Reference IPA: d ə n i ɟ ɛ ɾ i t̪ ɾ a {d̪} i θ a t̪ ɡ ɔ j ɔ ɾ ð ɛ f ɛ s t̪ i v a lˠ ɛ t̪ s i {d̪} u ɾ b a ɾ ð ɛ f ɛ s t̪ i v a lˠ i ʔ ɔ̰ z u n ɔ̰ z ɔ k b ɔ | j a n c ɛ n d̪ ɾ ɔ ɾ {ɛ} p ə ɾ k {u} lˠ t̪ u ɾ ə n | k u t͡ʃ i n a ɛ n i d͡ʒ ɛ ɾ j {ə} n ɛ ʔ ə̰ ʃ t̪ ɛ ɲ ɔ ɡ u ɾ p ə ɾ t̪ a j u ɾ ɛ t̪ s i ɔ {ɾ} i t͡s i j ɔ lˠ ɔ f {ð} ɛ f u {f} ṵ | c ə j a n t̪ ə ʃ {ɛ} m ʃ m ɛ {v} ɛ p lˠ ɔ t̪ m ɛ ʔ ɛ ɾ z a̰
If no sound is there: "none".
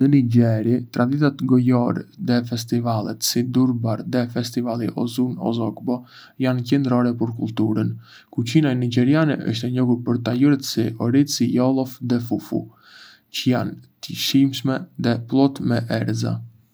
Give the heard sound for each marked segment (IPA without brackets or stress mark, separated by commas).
d̪, d̪, ɛ, u, a, ɾ, ð, f, i, ð